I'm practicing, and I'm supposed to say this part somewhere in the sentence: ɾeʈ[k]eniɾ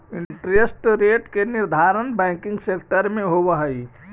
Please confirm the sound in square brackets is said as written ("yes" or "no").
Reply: yes